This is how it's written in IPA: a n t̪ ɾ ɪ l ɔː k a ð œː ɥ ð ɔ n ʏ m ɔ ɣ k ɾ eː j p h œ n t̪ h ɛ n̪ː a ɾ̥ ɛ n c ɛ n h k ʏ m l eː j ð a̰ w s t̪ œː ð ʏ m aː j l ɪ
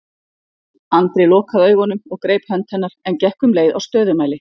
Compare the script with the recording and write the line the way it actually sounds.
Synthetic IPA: a n t̪ ɾ ɪ l ɔː k a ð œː ɥ ɣ ɔ n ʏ m ɔ ɣ k ɾ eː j p h œ n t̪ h ɛ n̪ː a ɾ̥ ɛ n c ɛ h k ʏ m l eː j ð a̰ w s t̪ œː ð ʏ m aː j l ɪ